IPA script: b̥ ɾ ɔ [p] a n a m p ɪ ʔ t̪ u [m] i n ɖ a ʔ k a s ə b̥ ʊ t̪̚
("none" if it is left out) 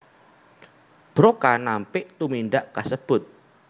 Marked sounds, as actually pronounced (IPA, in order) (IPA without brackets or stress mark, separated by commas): k, m